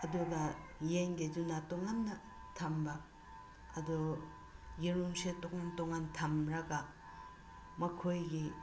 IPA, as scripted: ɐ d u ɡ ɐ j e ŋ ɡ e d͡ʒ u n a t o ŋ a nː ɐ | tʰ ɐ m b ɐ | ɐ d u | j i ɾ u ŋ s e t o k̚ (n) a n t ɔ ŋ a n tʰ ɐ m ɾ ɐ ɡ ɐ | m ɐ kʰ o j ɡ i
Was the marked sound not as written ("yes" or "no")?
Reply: yes